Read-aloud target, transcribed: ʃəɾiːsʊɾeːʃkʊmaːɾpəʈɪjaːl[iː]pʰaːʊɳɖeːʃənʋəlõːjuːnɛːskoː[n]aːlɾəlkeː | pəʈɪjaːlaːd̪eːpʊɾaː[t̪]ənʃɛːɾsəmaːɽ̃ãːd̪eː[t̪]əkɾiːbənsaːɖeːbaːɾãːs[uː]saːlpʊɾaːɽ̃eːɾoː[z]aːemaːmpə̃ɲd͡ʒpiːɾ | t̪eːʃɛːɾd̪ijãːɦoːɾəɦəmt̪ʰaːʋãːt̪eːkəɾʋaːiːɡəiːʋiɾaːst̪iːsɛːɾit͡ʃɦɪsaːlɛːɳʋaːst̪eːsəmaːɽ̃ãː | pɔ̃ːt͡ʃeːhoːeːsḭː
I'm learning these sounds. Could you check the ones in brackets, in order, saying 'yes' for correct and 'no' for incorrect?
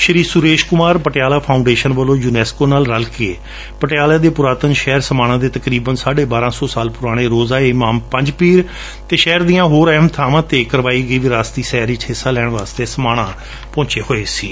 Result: no, yes, yes, yes, no, yes

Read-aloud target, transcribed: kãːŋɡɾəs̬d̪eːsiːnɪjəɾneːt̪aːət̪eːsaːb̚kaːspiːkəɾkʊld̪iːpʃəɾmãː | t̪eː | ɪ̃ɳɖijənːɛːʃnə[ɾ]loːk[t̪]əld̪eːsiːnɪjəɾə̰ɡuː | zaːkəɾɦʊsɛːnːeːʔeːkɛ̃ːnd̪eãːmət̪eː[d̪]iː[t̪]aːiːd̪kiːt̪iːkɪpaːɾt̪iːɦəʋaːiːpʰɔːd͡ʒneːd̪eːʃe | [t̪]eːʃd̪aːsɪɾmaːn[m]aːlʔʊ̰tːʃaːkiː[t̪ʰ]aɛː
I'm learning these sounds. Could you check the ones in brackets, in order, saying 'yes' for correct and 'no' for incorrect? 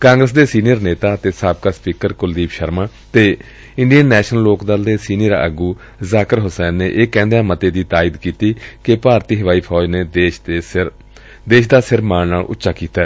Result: no, no, yes, yes, no, no, no

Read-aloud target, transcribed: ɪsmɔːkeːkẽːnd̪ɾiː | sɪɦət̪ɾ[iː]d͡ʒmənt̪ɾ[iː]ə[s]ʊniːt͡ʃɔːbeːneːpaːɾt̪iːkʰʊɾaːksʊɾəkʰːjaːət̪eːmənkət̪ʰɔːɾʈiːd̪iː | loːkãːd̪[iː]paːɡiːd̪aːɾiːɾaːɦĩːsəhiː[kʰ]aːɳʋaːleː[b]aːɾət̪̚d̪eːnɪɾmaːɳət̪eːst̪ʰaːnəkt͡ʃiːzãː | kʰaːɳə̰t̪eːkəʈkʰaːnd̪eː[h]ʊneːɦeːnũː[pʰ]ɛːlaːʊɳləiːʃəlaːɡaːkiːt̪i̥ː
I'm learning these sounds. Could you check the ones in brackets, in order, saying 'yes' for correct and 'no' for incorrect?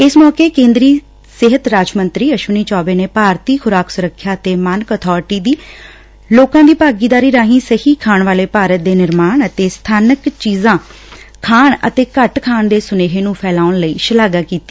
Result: no, yes, no, yes, yes, no, no, yes

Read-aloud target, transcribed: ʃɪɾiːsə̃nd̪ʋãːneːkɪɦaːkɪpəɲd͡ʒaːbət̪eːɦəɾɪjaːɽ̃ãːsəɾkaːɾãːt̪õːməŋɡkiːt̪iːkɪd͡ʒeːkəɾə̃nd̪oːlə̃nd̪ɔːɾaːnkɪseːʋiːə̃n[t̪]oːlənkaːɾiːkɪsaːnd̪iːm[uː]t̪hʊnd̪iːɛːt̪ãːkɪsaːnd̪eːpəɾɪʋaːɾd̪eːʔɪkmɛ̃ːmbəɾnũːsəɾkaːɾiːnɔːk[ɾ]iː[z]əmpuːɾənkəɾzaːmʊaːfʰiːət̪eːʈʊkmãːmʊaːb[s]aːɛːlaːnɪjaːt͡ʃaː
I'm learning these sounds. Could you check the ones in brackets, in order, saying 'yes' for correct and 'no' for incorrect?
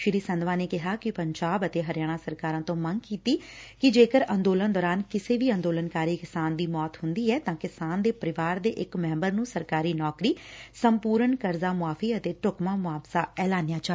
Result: no, no, yes, no, yes

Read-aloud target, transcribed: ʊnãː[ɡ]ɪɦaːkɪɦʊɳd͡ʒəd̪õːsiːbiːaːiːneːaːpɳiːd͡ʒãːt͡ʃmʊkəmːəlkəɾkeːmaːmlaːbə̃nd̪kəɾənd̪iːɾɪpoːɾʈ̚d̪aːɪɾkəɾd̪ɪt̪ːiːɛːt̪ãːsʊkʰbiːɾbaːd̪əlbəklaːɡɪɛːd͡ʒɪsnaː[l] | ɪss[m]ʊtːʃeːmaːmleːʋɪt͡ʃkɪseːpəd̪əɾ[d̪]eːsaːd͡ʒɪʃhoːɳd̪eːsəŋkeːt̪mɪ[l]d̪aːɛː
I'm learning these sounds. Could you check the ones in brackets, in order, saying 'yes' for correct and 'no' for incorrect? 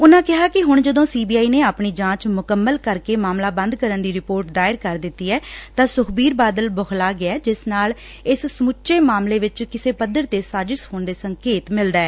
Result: no, yes, yes, no, yes

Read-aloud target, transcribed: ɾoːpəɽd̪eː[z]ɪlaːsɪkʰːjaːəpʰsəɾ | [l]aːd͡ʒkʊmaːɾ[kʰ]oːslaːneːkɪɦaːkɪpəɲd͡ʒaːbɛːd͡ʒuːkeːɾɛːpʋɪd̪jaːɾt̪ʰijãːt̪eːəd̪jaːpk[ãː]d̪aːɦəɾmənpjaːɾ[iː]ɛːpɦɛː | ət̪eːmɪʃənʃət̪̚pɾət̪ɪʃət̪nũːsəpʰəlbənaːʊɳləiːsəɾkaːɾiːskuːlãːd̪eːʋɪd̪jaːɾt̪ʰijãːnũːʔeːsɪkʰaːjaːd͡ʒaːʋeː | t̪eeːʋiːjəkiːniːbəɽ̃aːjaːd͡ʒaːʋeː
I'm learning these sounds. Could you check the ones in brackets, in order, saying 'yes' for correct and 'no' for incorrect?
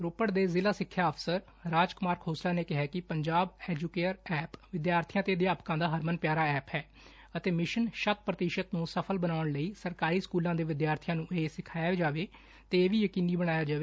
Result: yes, no, yes, yes, no

